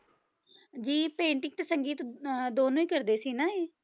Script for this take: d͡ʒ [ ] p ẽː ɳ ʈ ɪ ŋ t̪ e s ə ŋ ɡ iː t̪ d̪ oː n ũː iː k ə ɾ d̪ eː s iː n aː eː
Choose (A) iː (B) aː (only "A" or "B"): A